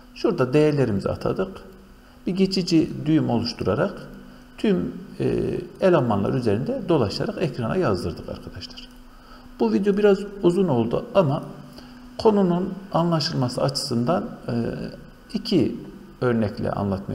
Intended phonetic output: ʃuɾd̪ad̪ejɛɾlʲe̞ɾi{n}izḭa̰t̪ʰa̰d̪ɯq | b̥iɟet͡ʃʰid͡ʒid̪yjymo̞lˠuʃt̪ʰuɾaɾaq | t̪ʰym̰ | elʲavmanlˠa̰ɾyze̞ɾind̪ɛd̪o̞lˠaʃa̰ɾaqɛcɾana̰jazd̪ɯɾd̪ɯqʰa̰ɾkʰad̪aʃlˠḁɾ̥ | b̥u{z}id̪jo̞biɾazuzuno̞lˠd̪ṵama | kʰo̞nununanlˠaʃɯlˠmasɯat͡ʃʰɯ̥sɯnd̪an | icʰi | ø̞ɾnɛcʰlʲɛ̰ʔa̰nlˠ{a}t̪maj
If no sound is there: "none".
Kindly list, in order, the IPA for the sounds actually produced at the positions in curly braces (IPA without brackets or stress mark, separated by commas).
m, v, a